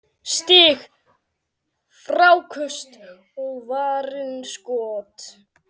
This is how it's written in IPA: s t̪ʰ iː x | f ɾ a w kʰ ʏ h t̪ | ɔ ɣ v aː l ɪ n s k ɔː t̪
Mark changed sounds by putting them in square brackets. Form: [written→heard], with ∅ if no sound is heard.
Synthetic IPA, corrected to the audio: s [t̪ʰ→t̪] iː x | f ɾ a w kʰ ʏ [h→s] t̪ | ɔ ɣ v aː [l→ɾ] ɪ n s k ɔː t̪